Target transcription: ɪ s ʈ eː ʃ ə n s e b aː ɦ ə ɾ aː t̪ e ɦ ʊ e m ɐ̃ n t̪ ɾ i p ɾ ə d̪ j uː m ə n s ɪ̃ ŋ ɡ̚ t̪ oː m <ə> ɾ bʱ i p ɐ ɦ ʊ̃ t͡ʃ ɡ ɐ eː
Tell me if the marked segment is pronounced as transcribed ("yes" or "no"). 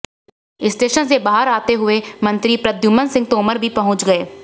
yes